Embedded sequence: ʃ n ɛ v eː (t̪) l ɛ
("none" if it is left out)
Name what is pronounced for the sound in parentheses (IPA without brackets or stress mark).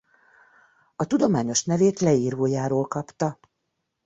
t̪